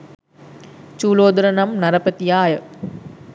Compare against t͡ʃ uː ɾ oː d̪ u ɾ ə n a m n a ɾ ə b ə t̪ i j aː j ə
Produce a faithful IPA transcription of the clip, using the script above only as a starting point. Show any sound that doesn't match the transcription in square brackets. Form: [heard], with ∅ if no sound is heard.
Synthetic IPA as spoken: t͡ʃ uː [l] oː d̪ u ɾ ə n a m n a ɾ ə [p] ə t̪ i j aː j ə